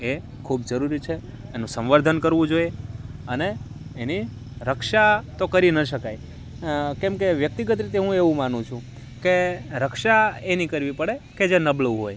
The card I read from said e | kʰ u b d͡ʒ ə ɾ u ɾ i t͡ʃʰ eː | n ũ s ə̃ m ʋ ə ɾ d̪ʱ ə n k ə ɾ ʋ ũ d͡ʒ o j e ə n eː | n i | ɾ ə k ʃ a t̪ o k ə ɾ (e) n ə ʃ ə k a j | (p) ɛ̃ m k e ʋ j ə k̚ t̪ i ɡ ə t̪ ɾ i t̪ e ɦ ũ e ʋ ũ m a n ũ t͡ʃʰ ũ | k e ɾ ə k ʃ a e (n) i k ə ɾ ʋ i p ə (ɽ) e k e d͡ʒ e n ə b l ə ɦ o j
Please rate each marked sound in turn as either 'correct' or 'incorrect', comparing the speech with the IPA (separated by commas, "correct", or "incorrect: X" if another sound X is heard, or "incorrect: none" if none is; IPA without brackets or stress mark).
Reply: incorrect: i, incorrect: k, correct, correct